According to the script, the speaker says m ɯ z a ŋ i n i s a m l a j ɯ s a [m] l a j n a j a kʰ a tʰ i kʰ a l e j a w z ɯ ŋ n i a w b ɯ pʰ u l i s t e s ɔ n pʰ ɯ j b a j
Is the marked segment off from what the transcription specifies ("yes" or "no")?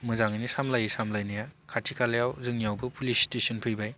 no